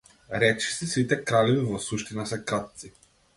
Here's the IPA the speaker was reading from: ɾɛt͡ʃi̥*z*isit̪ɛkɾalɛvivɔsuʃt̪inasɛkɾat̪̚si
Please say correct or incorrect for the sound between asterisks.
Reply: incorrect